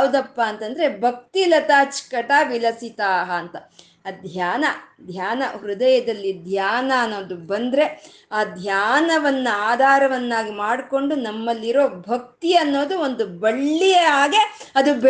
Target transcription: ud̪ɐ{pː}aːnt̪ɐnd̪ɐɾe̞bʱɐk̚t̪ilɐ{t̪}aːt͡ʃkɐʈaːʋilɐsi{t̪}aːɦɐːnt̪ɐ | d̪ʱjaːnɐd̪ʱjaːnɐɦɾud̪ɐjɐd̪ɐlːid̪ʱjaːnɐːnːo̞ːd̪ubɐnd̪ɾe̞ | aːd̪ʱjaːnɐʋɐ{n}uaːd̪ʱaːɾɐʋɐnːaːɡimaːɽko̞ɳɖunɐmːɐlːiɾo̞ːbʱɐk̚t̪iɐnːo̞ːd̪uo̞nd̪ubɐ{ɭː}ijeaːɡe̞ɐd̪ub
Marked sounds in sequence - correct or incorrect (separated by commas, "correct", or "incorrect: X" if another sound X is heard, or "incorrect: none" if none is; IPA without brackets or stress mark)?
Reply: correct, correct, correct, incorrect: nː, correct